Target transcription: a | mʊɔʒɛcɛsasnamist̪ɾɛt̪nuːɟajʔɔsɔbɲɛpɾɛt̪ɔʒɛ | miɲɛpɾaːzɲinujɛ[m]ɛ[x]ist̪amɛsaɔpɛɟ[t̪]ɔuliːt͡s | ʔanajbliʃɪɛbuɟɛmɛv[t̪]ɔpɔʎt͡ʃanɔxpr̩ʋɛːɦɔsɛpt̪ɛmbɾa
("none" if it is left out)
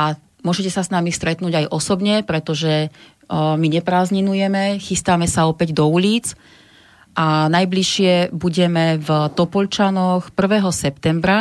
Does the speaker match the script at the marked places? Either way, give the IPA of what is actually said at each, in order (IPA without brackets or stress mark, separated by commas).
m, x, d̪, t̪